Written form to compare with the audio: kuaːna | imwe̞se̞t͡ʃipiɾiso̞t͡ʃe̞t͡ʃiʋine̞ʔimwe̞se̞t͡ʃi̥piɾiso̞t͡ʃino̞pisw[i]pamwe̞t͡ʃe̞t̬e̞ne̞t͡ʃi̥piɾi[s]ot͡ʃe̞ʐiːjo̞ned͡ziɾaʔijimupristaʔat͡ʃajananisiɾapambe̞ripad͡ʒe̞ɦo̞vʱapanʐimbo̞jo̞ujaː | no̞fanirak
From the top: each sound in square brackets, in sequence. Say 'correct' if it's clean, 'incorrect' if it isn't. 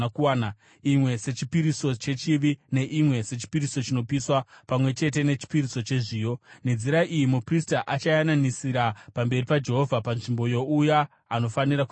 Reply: incorrect, correct

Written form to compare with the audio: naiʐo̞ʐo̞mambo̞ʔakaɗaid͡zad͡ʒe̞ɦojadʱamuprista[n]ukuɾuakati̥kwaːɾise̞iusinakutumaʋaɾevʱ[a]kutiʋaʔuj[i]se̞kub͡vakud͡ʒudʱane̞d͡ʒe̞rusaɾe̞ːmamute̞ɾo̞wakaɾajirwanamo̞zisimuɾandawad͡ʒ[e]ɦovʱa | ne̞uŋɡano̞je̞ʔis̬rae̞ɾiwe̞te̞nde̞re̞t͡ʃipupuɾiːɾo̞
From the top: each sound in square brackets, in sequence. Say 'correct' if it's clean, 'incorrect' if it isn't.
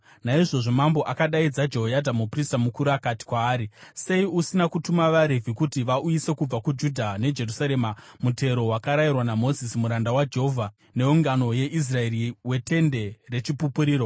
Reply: incorrect, incorrect, correct, correct

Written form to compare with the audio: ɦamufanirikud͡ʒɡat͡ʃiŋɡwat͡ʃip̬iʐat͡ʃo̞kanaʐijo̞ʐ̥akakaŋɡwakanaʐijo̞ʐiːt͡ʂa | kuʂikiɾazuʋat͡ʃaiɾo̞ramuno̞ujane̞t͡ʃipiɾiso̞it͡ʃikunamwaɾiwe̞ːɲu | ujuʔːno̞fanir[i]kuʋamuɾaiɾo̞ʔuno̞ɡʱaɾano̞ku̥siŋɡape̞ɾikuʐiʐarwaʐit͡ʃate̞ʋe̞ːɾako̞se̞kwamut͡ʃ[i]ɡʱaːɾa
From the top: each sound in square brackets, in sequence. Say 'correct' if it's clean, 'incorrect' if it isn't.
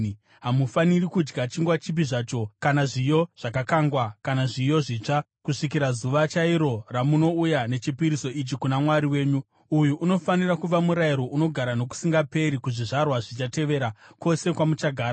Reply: incorrect, incorrect

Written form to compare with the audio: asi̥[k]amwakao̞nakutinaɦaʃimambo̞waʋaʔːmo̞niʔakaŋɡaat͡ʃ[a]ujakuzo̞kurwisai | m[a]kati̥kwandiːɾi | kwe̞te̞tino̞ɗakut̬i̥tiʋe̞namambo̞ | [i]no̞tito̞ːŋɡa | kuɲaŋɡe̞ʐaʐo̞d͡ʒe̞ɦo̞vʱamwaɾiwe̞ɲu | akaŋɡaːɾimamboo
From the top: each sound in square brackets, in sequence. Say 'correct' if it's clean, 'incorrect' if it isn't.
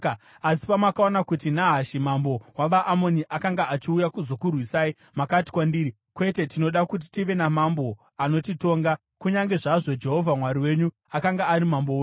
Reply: incorrect, incorrect, correct, incorrect

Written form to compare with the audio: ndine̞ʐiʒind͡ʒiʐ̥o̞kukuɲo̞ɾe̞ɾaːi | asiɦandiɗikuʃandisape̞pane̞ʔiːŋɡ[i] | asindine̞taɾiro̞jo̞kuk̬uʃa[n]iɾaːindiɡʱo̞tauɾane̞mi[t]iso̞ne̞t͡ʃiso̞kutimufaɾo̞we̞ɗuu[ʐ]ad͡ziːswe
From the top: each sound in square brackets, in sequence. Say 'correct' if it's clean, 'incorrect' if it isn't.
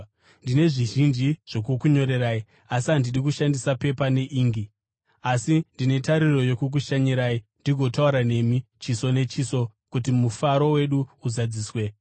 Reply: correct, incorrect, incorrect, incorrect

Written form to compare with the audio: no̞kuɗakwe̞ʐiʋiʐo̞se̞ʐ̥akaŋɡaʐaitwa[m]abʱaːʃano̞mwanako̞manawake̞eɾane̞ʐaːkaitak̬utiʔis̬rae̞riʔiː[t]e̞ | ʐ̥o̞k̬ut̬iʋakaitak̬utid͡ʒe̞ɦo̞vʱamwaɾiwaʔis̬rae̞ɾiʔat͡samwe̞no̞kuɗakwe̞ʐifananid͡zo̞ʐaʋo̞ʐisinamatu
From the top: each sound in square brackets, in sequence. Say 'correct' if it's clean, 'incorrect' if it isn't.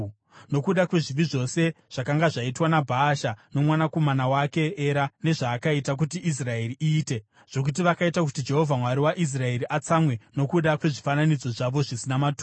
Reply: incorrect, correct

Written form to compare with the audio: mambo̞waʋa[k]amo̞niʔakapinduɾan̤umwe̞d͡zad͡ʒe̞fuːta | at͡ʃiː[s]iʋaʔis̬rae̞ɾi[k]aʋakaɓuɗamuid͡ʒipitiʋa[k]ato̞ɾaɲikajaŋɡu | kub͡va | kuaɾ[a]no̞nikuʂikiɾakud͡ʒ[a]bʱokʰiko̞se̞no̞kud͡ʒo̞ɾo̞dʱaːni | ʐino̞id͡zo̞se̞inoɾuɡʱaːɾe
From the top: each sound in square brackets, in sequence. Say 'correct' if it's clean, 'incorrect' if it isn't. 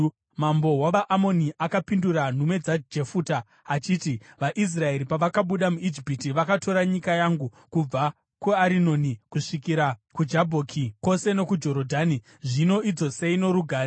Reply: incorrect, incorrect, incorrect, correct, incorrect, correct

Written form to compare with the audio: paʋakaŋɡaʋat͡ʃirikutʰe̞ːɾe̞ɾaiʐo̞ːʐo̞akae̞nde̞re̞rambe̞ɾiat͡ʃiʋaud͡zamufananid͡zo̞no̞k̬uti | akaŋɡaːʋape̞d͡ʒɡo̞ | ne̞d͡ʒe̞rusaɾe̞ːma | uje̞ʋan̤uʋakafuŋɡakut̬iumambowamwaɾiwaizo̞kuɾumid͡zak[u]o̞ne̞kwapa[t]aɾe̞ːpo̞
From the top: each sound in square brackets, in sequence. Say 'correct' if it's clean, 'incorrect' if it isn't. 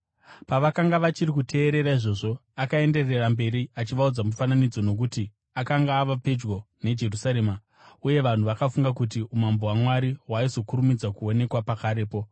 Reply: correct, incorrect

